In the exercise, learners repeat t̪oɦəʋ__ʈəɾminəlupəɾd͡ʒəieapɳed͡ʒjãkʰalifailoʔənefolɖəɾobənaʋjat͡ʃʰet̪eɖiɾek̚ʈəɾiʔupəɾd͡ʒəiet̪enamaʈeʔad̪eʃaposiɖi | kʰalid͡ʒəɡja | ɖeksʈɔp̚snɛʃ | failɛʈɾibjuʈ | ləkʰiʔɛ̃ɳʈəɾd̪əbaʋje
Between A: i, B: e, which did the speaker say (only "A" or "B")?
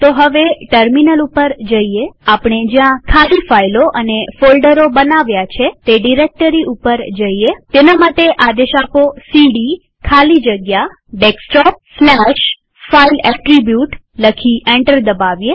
B